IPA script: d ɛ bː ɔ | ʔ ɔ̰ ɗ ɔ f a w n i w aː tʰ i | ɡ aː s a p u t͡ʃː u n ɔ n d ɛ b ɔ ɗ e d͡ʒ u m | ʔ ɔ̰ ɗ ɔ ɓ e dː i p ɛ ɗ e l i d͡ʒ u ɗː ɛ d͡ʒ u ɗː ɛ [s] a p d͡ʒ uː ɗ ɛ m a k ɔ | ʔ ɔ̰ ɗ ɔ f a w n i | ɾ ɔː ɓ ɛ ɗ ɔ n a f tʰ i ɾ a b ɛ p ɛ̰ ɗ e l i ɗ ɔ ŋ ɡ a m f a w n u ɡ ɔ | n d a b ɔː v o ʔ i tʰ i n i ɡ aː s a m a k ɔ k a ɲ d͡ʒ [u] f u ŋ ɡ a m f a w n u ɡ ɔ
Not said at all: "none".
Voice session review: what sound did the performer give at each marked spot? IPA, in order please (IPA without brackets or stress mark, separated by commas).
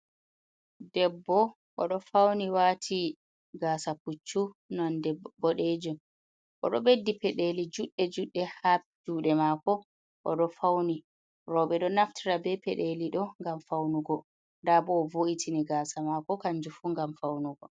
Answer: h, u